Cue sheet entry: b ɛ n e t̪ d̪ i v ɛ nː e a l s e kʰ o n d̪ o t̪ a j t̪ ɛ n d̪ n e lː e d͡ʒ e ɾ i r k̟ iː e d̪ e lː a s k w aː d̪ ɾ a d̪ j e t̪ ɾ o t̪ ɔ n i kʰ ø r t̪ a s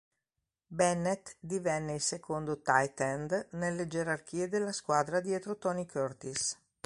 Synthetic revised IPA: b ɛ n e t̪ d̪ i v ɛ nː e i l s e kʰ o n d̪ o t̪ a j t̪ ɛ n d̪ n e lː e d͡ʒ e ɾ a r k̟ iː e d̪ e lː a s k w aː d̪ ɾ a d̪ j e t̪ ɾ o t̪ ɔ n i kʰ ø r t̪ i s